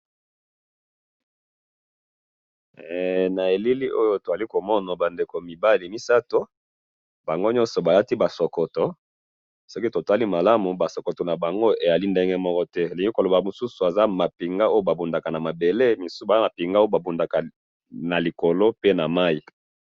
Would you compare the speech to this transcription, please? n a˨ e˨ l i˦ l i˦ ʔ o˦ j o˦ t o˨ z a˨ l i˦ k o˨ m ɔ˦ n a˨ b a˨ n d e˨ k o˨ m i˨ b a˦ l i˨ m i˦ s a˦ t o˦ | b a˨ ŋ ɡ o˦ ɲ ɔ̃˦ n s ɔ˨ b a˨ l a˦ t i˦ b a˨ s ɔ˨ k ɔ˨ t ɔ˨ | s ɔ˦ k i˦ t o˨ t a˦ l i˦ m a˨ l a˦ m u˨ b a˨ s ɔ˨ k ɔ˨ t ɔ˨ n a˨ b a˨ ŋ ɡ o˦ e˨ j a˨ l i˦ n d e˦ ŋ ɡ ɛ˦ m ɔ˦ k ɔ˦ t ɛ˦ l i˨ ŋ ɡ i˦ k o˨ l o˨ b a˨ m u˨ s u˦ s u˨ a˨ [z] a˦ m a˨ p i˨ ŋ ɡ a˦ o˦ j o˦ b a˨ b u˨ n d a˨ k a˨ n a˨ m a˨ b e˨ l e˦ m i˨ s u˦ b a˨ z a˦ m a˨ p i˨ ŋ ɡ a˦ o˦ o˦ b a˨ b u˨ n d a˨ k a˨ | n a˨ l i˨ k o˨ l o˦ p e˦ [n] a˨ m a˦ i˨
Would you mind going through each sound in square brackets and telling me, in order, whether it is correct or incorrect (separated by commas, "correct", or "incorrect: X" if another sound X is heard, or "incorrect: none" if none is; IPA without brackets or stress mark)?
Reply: correct, correct